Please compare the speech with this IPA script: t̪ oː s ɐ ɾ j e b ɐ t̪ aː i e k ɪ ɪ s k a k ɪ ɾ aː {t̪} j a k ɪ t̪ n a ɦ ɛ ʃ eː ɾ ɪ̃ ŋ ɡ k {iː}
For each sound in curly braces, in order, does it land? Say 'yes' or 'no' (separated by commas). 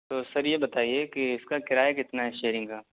no, no